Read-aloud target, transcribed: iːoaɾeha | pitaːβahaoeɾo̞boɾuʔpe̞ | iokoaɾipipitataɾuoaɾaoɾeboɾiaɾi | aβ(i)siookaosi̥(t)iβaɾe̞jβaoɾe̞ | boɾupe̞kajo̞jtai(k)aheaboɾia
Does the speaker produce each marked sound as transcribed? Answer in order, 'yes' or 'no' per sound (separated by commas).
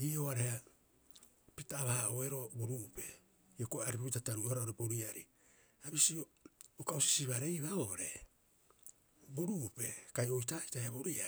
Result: yes, no, no